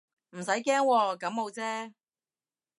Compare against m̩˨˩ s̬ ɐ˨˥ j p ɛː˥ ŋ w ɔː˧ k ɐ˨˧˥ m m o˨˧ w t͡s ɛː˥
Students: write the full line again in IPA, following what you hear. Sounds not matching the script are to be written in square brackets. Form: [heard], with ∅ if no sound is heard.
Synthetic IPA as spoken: m̩˨˩ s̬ ɐ˨˥ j [k] ɛː˥ ŋ w ɔː˧ k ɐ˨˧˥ m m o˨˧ w t͡s ɛː˥